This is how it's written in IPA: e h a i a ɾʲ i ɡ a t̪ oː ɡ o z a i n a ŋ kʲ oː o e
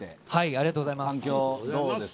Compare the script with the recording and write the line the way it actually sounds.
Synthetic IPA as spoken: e h a i a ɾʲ i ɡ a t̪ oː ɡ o z a i m a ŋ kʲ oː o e